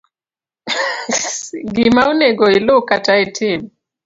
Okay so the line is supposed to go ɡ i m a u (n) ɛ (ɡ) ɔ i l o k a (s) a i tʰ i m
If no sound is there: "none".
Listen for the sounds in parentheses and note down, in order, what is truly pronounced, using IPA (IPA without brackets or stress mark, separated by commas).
n, ɡ, t